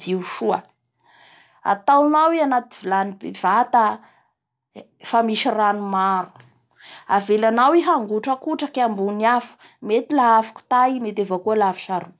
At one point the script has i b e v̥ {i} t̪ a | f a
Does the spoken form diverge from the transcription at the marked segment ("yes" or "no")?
yes